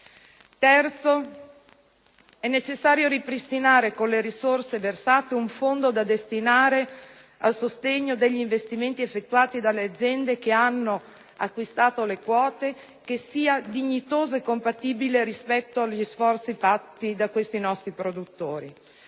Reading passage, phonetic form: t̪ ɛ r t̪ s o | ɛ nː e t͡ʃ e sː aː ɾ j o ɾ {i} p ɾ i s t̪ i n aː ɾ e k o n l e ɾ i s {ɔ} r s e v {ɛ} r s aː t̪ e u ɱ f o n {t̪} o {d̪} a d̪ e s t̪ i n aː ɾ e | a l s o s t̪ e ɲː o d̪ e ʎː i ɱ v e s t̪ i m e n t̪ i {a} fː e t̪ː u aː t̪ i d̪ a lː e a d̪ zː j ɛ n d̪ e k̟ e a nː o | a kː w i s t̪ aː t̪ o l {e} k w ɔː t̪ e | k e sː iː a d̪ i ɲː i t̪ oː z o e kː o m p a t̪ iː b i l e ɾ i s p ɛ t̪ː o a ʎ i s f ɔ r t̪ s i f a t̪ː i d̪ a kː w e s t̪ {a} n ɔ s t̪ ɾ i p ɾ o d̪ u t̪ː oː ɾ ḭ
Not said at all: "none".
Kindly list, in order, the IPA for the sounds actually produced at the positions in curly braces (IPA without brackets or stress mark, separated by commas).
i, o, e, d̪, d̪, e, e, i